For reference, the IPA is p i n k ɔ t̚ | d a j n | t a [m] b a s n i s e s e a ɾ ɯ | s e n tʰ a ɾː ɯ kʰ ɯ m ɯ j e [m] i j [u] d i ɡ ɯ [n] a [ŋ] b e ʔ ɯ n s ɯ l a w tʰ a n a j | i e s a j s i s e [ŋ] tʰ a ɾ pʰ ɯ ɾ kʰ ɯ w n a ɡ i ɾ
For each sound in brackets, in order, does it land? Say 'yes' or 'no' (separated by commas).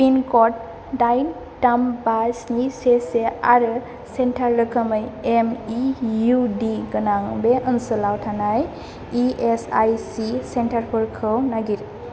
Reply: yes, yes, yes, yes, yes, no